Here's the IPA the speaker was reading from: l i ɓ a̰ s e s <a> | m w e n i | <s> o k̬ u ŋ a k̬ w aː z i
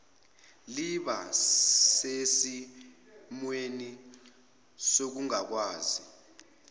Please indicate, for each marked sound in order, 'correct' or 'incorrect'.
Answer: incorrect: i, correct

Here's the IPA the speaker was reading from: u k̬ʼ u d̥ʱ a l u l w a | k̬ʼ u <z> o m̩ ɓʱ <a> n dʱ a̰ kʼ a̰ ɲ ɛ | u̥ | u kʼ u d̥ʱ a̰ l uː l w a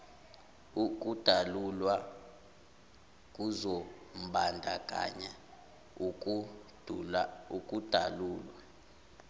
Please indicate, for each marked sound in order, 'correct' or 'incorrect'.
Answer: correct, correct

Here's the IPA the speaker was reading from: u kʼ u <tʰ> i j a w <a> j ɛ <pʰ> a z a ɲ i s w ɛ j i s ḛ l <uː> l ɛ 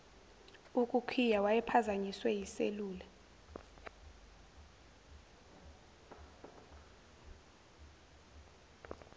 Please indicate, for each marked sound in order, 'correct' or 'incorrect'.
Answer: incorrect: kʰ, correct, correct, correct

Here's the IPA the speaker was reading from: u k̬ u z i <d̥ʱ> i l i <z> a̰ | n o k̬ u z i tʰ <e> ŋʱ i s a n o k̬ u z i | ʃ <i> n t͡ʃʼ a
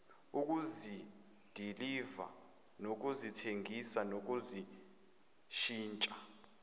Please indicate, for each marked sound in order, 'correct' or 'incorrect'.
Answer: correct, incorrect: v, correct, incorrect: iː

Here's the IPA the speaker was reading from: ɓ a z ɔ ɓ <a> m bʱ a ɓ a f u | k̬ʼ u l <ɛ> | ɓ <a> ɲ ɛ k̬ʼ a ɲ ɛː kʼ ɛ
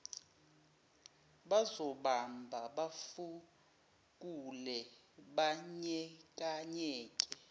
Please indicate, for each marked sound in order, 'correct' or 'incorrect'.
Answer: correct, correct, correct

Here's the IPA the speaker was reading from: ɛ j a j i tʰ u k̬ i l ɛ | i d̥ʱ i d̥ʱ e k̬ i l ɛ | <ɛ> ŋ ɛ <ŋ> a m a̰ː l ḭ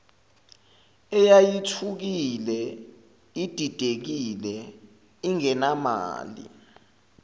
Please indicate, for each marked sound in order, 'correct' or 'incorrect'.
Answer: incorrect: i, incorrect: n

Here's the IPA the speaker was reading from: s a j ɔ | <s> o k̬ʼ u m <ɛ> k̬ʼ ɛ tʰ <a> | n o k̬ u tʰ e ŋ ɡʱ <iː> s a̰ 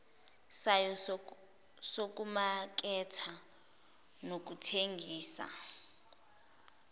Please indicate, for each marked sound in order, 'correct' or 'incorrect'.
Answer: correct, incorrect: a, correct, correct

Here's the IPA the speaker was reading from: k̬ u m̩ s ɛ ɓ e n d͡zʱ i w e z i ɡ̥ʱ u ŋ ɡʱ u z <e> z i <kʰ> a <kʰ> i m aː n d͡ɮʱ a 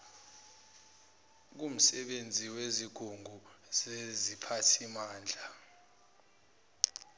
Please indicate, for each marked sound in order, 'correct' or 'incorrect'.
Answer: correct, incorrect: pʰ, incorrect: tʰ

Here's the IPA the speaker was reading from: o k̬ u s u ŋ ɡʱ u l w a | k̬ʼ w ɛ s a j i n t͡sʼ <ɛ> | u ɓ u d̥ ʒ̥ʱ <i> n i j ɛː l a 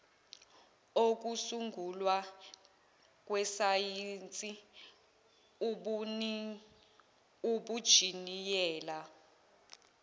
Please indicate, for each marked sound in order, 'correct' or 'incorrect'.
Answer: incorrect: i, correct

